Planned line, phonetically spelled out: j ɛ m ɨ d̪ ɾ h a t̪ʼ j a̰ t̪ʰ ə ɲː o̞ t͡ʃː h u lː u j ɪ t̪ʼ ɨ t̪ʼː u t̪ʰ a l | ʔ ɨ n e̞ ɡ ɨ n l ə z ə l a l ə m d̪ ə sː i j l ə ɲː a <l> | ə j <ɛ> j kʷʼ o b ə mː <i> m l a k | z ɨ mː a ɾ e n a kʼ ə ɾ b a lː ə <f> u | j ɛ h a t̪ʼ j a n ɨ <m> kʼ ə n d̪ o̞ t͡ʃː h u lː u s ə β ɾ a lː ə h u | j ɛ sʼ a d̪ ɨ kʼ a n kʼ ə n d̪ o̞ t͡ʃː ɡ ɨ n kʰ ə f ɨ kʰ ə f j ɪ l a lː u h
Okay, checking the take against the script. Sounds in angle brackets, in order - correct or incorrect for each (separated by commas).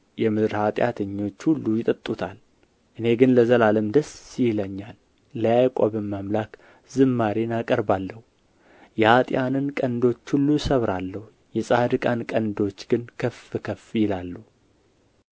incorrect, incorrect, incorrect, incorrect, incorrect